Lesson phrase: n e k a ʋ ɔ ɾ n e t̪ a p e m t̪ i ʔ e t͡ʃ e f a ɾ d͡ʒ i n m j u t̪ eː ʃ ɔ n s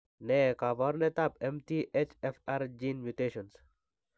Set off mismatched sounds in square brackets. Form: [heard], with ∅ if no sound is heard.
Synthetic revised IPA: n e k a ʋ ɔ ɾ n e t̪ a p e m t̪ i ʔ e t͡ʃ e f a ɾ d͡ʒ i n m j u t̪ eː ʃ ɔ n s